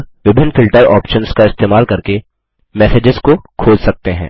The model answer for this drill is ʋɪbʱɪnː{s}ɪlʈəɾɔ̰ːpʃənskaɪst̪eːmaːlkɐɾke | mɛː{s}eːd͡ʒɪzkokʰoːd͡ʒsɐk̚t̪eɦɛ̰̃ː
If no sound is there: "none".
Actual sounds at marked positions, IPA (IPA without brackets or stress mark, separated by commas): f, s